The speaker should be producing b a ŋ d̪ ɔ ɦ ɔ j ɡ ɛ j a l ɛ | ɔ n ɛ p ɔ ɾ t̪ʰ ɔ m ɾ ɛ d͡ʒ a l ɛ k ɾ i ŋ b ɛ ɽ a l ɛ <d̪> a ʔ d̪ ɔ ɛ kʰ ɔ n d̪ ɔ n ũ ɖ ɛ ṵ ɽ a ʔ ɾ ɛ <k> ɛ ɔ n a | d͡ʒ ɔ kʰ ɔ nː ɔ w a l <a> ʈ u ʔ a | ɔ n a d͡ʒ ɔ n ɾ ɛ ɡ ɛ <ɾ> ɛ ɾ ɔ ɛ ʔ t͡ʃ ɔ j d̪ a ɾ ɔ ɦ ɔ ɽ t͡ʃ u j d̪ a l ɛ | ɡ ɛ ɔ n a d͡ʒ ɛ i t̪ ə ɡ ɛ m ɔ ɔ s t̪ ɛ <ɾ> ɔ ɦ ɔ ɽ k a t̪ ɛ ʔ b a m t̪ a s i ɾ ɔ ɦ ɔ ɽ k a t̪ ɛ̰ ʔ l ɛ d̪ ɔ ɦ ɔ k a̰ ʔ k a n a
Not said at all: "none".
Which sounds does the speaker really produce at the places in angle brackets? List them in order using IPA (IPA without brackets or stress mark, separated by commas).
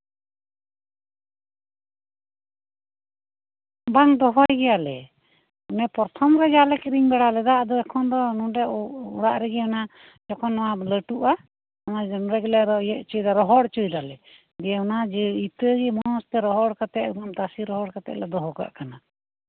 d̪, ɡ, ə, l, ɾ